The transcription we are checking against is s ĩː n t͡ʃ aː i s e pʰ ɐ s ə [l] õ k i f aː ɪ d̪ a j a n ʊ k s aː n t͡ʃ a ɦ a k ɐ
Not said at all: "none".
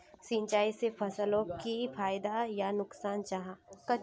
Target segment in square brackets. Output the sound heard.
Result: l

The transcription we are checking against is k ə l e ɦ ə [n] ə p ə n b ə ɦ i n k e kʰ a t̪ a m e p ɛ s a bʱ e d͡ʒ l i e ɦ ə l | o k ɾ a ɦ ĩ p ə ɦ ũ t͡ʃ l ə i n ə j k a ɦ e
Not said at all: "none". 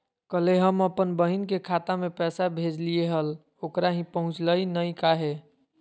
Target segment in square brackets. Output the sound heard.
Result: m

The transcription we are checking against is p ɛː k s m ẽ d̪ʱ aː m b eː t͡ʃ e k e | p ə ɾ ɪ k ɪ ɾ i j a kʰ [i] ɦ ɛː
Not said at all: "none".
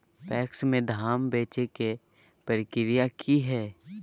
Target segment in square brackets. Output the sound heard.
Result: i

